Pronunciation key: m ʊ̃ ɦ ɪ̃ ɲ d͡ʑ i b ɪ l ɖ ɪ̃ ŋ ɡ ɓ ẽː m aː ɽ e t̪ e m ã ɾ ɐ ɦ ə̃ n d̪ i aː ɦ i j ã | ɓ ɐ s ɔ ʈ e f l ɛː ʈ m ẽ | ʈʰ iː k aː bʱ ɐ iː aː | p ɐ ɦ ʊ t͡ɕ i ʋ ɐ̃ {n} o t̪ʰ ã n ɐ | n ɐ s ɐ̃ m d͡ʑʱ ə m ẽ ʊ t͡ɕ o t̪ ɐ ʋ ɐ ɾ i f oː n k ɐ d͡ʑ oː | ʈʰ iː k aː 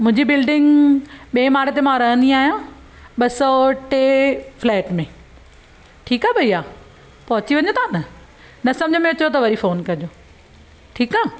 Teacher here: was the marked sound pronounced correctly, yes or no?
no